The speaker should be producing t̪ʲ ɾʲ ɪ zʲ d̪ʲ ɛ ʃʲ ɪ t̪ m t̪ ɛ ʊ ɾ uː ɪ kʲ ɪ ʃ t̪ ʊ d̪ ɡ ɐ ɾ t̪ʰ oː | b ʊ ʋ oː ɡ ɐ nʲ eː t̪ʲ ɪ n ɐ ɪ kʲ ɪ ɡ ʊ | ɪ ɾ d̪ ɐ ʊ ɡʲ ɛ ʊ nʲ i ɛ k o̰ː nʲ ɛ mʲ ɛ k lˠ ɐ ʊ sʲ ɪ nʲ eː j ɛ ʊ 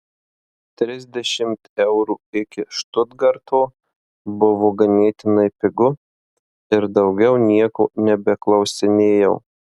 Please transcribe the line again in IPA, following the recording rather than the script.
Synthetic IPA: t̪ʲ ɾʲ ɪ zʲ d̪ʲ ɛ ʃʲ ɪ m t̪ ɛ ʊ ɾ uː ɪ kʲ ɪ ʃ t̪ ʊ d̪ ɡ ɐ ɾ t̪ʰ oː | b ʊ ʋ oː ɡ ɐ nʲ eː t̪ʲ ɪ n ɐ ɪ pʲ ɪ ɡ ʊ | ɪ ɾ d̪ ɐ ʊ ɡʲ ɛ ʊ nʲ i ɛ k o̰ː nʲ ɛ bʲ ɛ k lˠ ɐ ʊ sʲ ɪ nʲ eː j ɛ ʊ